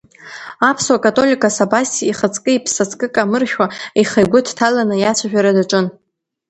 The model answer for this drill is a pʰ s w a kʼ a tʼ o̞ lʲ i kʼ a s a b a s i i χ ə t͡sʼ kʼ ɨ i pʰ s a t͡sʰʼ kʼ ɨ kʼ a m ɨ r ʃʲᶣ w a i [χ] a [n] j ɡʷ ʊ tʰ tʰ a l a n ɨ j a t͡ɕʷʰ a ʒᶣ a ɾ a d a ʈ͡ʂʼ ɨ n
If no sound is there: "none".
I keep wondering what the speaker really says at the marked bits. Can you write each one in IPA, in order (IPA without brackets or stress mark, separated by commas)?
χ, none